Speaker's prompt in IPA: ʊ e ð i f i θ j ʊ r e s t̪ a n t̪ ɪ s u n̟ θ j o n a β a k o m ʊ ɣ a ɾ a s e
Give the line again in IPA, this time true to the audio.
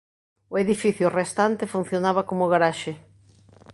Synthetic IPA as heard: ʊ e ð i f i θ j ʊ r e s t̪ a n t̪ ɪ f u n̟ θ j o n a β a k o m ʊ ɣ a ɾ a ʃ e